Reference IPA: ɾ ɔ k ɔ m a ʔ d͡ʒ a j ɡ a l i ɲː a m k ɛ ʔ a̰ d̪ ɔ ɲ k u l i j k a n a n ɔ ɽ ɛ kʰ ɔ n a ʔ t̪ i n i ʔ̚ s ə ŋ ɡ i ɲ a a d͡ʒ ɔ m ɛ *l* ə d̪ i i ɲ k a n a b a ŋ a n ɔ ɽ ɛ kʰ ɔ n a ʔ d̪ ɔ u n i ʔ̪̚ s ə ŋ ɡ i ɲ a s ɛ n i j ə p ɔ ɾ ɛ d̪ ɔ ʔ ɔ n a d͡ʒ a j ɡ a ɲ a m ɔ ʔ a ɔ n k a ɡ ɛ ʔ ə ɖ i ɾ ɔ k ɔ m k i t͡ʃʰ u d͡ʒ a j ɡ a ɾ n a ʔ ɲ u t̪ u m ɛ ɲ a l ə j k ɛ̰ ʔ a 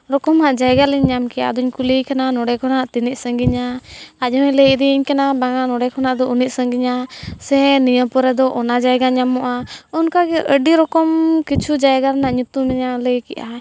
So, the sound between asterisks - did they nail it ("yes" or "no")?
yes